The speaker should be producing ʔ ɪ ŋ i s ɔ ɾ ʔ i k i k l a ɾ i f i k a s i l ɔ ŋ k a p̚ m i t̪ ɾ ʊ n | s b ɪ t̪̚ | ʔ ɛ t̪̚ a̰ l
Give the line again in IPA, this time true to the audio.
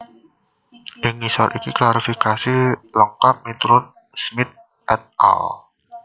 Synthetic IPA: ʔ ɪ ŋ i s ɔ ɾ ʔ i k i k l a ɾ i f i k a s i l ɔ ŋ k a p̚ m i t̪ ɾ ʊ n | s m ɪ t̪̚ | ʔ ɛ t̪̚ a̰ l